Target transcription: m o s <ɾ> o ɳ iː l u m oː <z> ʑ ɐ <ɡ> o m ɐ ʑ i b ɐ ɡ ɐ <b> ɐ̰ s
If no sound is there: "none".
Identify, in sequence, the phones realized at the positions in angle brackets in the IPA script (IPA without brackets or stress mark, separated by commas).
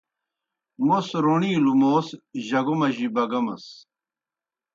ɾ, s, ɡ, m